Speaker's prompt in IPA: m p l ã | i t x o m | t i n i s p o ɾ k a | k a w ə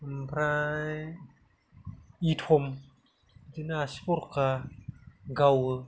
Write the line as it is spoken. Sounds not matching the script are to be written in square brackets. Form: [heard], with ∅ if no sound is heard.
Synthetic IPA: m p [ɾ] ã | i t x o m | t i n [a] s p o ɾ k a | [ɡ] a w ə